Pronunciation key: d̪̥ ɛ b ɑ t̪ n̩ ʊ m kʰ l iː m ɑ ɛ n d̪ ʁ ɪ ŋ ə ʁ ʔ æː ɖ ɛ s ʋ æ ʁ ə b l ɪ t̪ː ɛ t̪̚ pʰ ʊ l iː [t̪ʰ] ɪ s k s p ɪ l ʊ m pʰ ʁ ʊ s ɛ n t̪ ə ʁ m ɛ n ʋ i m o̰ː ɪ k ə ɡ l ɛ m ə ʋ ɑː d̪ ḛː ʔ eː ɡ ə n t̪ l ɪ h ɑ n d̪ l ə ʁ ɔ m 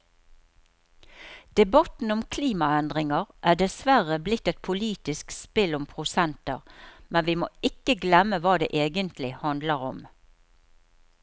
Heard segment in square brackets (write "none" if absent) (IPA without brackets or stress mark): t̪